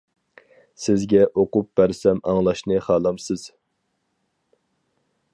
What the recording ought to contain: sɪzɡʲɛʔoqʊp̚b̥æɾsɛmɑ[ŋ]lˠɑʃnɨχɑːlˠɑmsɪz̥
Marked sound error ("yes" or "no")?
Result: no